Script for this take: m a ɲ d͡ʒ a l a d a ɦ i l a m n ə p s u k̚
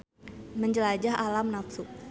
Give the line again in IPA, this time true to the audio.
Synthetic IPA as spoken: m ə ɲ d͡ʒ ə l a d͡ʒ a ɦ a l a m n a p s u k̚